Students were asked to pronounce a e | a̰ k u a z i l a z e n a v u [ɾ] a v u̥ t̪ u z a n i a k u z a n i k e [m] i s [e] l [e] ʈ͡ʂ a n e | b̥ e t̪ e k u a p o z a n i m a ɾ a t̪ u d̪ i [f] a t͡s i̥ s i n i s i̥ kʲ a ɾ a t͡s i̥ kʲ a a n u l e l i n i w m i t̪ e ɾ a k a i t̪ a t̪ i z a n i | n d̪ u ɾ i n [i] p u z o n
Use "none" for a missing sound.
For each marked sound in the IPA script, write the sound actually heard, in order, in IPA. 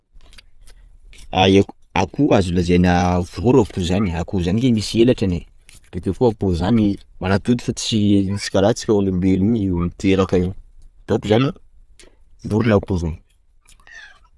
ɾ, m, e, a, f, a

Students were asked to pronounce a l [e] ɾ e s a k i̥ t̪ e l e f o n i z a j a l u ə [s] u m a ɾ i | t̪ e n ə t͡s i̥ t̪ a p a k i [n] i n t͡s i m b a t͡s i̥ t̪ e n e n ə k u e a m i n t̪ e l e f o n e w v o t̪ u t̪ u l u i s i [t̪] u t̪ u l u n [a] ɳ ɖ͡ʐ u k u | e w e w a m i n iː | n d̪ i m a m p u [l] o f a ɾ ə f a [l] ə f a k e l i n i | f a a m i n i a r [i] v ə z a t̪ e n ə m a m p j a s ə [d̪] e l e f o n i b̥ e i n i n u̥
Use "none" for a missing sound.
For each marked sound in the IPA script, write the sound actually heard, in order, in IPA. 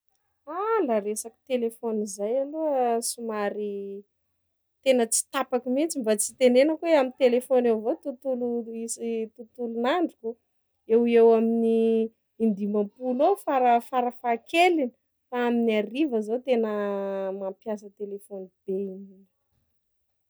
a, s, m, t̪, a, l, ɾ, i, t̪

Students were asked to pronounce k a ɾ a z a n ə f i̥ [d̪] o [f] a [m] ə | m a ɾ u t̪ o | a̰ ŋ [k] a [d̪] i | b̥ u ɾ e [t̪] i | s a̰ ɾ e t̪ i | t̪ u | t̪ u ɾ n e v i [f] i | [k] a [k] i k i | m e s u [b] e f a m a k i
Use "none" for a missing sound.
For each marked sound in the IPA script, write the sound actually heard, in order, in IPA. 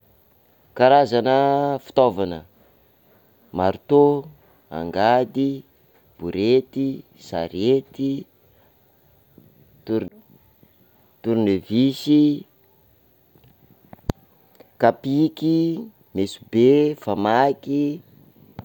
t̪, v, n, ɡ, d̪, t̪, s, k, p, b

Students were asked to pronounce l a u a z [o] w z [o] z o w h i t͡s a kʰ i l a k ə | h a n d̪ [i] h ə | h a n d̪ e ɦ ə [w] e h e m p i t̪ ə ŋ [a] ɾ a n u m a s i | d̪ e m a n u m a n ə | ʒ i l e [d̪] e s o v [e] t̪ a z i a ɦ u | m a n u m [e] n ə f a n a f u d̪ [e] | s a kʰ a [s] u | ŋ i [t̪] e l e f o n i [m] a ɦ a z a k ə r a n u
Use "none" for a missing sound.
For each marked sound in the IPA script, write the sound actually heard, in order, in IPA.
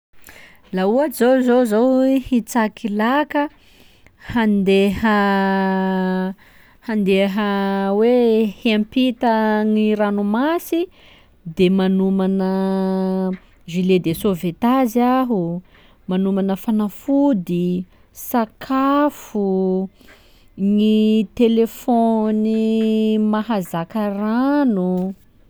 o, o, e, w, i, d̪, e, a, i, f, t̪, m

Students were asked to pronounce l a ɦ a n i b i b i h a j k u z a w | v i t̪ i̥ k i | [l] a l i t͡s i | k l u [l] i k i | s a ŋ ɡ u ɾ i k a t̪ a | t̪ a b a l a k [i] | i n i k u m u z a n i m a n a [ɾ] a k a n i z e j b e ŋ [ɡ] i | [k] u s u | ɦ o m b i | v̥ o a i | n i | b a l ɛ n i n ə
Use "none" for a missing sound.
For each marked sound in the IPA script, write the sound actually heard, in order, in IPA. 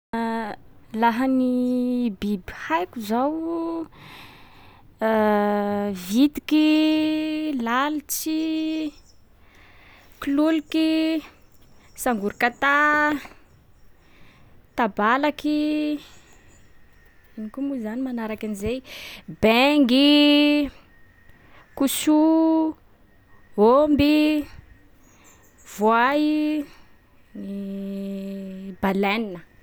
l, l, i, ɾ, ɡ, k

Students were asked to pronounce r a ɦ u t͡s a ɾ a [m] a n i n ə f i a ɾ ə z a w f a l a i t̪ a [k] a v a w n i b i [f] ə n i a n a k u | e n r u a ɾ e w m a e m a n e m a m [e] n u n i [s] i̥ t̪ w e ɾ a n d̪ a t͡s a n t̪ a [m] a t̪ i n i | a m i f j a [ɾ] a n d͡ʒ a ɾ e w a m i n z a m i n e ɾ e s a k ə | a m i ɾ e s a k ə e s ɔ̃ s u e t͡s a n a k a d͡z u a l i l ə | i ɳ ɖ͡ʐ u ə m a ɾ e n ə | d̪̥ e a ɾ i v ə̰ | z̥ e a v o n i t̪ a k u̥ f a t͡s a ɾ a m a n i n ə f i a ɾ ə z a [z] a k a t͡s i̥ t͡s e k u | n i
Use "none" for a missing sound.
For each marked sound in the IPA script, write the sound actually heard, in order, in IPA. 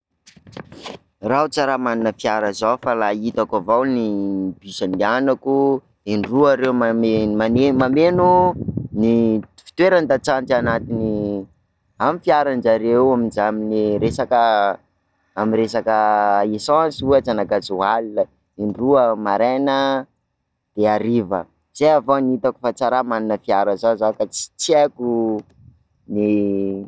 m, k, s, e, f, n, ɾ, z

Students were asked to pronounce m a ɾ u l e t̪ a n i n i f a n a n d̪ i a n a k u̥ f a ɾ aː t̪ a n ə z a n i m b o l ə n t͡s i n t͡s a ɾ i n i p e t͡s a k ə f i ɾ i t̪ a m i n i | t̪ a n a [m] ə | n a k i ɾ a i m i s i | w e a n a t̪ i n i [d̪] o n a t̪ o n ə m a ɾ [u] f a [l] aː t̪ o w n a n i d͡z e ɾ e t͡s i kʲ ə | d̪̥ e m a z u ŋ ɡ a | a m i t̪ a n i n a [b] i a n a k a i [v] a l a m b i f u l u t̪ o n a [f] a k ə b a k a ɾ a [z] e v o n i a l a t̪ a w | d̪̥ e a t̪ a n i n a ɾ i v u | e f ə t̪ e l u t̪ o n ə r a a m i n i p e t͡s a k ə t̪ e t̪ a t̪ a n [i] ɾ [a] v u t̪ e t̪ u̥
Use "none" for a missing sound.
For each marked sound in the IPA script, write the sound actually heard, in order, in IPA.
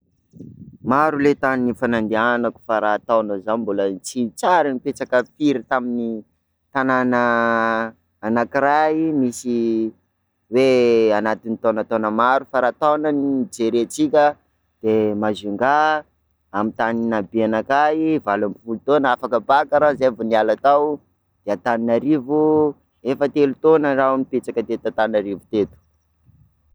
n, t̪, u, ɾ, b, v, f, z, a, i

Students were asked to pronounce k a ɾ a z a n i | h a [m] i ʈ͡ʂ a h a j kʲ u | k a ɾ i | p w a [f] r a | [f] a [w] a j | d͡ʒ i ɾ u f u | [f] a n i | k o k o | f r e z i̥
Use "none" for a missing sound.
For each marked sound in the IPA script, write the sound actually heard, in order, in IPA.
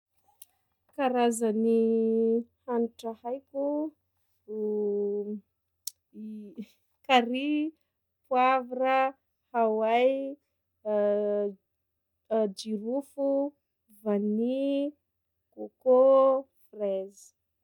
n, v, h, w, v

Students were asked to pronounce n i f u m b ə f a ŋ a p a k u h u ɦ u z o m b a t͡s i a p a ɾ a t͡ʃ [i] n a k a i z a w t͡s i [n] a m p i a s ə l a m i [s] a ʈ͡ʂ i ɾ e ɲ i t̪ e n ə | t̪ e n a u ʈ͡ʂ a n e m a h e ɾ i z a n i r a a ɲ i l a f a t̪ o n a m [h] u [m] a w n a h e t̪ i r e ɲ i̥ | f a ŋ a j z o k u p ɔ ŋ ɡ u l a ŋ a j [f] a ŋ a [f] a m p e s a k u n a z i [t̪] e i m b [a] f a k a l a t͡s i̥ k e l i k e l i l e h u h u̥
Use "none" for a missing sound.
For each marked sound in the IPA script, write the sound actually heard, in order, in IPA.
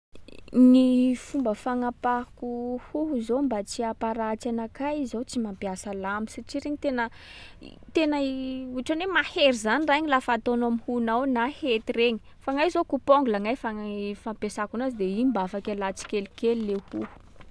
a, m, s, h, n, f, f, d̪, a

